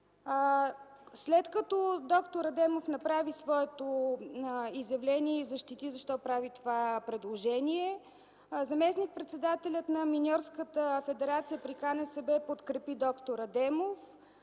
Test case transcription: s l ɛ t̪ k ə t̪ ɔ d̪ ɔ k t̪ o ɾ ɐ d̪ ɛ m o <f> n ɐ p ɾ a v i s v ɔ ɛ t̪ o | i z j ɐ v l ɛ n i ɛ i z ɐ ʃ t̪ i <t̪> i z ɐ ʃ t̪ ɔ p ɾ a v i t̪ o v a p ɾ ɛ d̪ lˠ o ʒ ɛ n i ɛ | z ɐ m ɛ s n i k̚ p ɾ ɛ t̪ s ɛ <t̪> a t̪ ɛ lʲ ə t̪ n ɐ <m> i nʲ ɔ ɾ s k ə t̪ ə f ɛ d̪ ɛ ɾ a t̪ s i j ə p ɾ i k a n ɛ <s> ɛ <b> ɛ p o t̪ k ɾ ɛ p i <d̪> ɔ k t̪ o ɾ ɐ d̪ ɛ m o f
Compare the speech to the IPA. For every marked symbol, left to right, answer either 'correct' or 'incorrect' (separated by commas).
correct, correct, incorrect, correct, correct, correct, correct